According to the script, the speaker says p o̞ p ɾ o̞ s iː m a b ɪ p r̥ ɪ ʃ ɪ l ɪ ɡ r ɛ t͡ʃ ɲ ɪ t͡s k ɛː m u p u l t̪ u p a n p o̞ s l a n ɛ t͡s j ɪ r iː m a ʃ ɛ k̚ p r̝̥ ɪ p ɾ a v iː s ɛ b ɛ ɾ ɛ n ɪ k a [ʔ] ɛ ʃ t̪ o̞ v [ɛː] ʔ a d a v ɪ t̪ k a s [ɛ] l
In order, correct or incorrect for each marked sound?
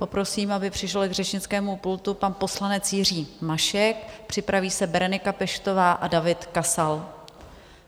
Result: incorrect: p, incorrect: aː, incorrect: a

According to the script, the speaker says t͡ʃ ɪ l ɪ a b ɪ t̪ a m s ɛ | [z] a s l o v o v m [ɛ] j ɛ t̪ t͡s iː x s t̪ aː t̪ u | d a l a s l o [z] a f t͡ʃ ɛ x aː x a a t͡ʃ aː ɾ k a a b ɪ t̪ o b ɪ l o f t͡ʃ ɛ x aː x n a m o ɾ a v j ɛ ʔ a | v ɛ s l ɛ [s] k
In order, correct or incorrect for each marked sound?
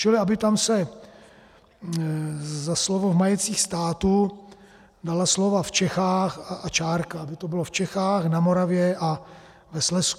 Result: correct, incorrect: a, incorrect: v, correct

